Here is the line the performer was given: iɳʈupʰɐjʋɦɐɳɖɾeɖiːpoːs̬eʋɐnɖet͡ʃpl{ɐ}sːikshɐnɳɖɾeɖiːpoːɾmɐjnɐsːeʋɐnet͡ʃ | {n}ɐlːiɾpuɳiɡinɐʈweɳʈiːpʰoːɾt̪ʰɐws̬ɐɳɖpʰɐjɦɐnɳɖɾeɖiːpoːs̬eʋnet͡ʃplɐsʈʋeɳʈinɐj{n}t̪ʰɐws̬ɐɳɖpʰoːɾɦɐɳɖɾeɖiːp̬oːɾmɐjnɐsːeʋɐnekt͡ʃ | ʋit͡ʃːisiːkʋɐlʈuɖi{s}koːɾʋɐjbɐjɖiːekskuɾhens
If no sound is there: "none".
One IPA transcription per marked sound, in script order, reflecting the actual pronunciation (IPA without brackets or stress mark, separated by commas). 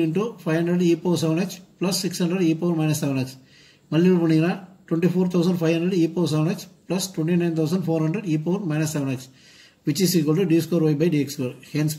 ɐ, m, n, s